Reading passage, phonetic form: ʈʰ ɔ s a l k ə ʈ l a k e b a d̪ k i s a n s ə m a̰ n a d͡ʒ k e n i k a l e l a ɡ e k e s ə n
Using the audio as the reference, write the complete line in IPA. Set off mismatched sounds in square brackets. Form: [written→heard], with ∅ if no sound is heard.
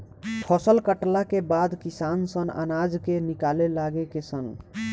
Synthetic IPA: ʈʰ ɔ s [a→ə] l k ə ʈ l a k e b a d̪ k i s a n s ə [m→n] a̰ n a d͡ʒ k e n i k a l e l a ɡ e k e s ə n

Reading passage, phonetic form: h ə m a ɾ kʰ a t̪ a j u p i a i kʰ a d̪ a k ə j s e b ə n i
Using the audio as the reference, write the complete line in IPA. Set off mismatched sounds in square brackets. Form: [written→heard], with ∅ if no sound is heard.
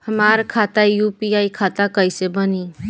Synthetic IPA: h ə m a ɾ kʰ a t̪ a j u p i a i kʰ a [d̪→t̪] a k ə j s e b ə n i

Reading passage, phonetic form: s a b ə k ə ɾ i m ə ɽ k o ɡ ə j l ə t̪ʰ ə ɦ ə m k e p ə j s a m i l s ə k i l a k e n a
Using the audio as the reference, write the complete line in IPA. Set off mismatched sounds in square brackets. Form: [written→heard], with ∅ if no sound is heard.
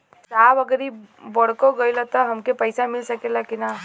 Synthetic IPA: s a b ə [k→ɡ] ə ɾ i [m→b] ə ɽ k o ɡ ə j l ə [t̪ʰ→t̪] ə ɦ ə m k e p ə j s a m i l s ə k [i→e] l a k [e→i] n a

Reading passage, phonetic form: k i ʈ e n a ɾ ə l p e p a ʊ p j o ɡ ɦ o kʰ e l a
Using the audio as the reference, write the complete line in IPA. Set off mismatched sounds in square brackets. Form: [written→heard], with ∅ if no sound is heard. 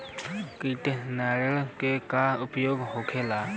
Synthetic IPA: k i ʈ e n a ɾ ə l [p→k] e [p→k] a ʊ p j o ɡ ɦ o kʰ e l a

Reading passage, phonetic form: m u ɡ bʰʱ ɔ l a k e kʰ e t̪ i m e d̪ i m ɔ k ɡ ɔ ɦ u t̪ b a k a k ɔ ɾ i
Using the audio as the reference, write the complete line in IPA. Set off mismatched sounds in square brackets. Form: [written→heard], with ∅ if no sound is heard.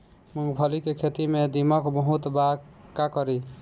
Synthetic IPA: m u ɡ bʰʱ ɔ l [a→i] k e kʰ e t̪ i m e d̪ i m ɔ k [ɡ→b] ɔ ɦ u t̪ b a k a k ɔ ɾ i

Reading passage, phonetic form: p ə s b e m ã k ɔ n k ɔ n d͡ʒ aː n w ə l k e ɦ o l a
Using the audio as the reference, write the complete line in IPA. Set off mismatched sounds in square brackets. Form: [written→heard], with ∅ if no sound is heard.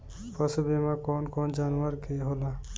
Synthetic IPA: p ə s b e m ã k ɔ n k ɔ n d͡ʒ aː n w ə [l→ɾ] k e ɦ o l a

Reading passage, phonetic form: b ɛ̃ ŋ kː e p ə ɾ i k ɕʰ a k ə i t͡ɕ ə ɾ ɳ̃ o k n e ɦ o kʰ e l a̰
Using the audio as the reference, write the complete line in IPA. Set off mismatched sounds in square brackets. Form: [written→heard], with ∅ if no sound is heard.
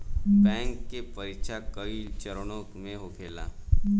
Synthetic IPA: b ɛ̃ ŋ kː e p ə ɾ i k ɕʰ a k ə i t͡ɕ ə ɾ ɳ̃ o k [n→m] e ɦ o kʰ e l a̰

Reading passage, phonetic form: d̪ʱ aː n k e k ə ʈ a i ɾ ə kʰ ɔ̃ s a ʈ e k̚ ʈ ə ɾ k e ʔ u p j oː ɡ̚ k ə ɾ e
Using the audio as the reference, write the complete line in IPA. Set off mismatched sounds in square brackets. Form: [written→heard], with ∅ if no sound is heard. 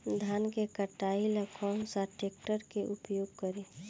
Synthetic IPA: d̪ʱ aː n k e k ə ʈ a i [ɾ→l] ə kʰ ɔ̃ s a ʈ e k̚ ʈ ə ɾ k e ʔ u p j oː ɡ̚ k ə ɾ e

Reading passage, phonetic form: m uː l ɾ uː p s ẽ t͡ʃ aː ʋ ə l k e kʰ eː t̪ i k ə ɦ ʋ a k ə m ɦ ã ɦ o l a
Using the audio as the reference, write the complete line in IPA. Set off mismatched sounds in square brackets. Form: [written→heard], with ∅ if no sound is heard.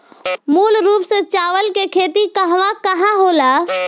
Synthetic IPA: m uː l ɾ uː p s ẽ t͡ʃ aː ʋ ə l k e kʰ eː t̪ i k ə ɦ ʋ a k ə [m→∅] ɦ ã ɦ o l a

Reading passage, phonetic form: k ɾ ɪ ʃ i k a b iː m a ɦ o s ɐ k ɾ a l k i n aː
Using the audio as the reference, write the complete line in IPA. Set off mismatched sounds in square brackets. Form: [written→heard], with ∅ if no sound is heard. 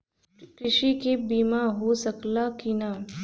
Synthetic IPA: k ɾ ɪ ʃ i k [a→e] b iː m a ɦ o s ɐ k [ɾ→l] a [l→∅] k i n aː

